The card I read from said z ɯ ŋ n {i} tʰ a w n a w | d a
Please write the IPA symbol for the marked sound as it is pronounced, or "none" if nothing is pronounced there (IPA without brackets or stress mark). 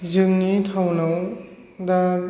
i